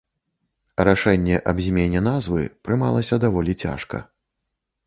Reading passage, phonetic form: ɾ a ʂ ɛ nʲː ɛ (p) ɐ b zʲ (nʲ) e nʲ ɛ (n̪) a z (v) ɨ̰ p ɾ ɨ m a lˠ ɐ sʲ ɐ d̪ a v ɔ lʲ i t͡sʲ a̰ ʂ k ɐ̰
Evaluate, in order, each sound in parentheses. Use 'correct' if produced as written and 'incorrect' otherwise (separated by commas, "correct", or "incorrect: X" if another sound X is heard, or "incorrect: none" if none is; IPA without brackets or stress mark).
incorrect: ʔ, incorrect: mʲ, correct, correct